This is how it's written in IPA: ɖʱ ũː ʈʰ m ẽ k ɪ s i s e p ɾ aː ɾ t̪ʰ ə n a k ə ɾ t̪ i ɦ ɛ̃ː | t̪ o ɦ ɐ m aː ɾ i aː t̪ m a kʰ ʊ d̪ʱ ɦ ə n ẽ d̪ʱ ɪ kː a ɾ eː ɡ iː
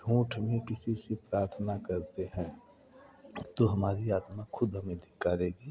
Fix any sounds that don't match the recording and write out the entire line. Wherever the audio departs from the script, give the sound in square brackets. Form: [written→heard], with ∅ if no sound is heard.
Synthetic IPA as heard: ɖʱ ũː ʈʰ m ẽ k ɪ s i s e p ɾ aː ɾ t̪ʰ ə n a k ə ɾ t̪ [i→e] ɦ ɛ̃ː | t̪ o ɦ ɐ m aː ɾ i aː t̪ m a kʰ ʊ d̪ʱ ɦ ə [n→m] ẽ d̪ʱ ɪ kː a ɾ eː ɡ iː